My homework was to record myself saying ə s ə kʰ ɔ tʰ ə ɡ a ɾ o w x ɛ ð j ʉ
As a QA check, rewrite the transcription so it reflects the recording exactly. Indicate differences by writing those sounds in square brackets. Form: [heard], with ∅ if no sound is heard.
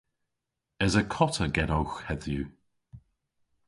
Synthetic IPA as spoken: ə [z] ə kʰ ɔ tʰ ə ɡ [ɛ] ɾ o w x ɛ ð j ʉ